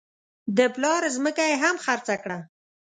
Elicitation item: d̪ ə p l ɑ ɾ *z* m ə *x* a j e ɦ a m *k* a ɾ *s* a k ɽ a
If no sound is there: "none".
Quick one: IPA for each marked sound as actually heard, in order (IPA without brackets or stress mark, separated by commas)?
z, k, x, t͡s